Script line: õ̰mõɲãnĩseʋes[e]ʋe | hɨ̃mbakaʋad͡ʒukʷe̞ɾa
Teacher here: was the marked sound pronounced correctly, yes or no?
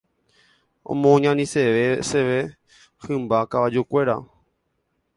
yes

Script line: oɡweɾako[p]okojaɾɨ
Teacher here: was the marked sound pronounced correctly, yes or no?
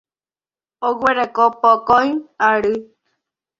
yes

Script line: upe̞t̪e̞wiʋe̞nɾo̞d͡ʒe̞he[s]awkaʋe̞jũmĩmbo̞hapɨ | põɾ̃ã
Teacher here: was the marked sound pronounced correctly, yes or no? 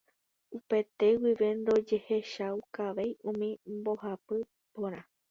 no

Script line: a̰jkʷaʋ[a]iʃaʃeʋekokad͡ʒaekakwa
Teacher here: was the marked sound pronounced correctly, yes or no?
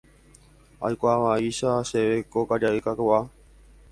yes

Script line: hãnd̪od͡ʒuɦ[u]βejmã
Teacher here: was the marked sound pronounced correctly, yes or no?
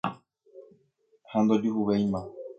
yes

